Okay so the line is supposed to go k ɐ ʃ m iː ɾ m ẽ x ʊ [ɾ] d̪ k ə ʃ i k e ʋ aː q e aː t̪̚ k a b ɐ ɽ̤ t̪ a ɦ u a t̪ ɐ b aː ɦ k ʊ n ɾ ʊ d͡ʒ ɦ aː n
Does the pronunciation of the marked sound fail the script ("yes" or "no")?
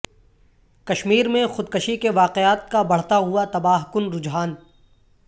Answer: yes